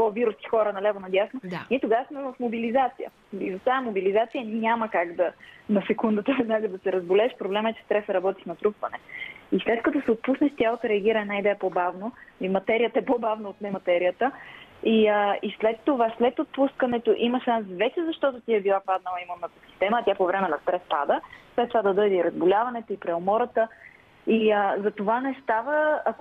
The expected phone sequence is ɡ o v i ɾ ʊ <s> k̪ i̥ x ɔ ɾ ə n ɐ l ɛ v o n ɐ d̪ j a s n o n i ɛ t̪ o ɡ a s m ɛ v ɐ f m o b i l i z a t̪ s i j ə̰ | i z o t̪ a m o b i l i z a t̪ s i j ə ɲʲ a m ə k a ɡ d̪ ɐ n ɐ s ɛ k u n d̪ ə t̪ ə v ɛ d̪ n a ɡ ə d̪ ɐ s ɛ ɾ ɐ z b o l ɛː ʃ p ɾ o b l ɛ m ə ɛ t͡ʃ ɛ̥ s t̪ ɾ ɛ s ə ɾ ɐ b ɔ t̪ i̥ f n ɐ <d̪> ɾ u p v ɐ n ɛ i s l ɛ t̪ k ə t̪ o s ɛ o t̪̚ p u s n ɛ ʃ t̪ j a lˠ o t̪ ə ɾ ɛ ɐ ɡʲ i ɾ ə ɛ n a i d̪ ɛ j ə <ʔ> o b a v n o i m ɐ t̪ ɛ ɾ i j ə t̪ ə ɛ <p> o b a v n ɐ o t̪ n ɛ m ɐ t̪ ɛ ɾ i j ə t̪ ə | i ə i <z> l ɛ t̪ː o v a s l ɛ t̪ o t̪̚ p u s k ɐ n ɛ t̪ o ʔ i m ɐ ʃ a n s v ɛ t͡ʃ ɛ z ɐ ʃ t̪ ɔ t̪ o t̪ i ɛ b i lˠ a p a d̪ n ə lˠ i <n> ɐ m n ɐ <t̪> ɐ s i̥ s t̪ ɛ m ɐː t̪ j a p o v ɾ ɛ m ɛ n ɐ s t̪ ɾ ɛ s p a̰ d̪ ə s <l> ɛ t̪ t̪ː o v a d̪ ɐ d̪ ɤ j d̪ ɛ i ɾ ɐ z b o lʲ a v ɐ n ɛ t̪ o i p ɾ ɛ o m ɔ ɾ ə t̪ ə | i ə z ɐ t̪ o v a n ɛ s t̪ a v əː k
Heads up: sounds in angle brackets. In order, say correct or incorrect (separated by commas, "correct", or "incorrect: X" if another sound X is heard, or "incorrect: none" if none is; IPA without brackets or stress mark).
correct, incorrect: t̪, incorrect: p, correct, incorrect: s, incorrect: m, correct, correct